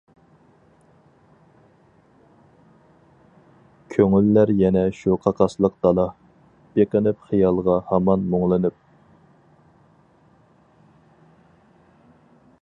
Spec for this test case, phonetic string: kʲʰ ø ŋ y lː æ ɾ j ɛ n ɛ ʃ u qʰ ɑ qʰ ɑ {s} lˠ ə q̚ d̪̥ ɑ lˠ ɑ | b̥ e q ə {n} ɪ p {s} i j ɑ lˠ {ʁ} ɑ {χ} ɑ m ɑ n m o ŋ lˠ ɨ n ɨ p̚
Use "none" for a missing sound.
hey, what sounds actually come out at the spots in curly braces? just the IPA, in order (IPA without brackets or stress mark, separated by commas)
s, n, χ, ʁ, h